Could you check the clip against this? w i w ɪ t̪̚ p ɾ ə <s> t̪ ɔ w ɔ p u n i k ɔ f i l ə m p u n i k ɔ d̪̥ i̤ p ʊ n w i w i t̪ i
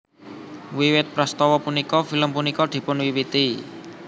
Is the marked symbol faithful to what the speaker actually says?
yes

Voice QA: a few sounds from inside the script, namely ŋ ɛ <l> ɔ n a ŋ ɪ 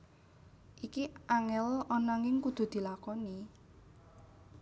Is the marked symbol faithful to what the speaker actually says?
yes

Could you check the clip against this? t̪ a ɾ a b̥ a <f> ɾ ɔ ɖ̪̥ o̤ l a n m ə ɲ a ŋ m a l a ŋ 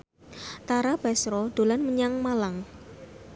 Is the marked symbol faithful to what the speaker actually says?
no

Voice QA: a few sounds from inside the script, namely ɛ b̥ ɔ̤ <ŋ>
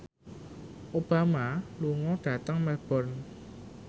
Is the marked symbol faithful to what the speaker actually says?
no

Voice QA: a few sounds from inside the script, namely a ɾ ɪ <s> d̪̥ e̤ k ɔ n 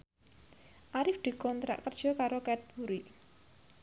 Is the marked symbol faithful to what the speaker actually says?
no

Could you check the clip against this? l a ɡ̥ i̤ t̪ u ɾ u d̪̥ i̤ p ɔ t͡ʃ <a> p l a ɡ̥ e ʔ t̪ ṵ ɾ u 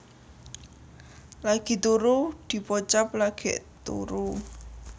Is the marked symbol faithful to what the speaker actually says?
yes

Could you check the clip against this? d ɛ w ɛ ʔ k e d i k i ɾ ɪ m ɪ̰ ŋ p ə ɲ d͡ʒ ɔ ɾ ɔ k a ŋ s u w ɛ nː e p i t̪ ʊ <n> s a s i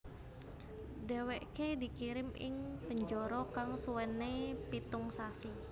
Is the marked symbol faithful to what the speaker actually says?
no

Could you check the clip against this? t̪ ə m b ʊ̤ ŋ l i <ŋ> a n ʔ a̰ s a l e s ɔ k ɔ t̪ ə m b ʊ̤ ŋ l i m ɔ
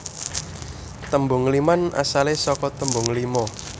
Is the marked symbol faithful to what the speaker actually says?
no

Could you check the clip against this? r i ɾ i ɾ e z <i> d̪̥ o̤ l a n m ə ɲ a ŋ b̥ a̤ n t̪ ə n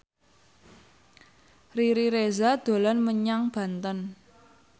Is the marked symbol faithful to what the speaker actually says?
no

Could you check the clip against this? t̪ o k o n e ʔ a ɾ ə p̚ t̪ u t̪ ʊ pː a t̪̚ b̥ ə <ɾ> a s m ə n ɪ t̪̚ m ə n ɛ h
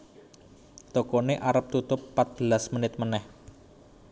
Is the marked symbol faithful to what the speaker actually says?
no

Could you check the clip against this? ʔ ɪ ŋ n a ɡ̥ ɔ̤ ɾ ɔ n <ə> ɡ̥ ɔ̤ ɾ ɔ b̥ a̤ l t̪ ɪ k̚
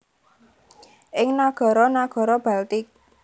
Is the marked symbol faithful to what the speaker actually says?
no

